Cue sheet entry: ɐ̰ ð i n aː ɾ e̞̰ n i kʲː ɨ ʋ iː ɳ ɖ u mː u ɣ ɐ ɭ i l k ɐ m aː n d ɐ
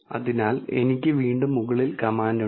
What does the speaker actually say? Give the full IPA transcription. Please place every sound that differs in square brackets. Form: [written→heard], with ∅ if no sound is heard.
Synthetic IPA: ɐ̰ ð i n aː [ɾ→l] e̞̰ n i kʲː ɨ ʋ iː ɳ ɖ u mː u ɣ ɐ ɭ i l k ɐ m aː n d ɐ

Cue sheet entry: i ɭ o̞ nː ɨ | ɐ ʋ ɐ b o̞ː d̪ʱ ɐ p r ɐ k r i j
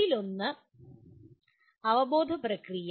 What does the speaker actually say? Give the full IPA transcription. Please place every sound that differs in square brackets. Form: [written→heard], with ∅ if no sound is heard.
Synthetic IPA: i [ɭ→l] o̞ nː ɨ | ɐ ʋ ɐ b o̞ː d̪ʱ ɐ p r ɐ k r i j

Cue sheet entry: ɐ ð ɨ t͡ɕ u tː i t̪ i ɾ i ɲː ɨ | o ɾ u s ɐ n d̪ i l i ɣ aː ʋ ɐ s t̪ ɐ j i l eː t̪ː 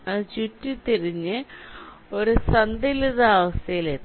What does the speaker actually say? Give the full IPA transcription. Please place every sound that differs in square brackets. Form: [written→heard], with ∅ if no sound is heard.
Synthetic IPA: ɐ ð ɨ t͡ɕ u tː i t̪ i ɾ i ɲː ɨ | o ɾ u s ɐ n d̪ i l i [ɣ→ð] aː ʋ ɐ s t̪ ɐ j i l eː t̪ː

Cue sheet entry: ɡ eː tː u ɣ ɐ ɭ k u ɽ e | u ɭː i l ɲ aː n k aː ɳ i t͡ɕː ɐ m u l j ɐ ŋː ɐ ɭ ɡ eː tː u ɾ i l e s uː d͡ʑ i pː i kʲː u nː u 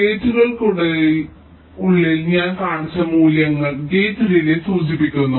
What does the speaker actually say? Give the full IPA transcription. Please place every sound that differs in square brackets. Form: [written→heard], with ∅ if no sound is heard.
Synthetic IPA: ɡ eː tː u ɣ ɐ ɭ k u ɽ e | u ɭː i l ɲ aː n k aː ɳ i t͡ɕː ɐ m [u→uː] l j ɐ ŋː ɐ ɭ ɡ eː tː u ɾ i l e s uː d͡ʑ i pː i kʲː u nː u

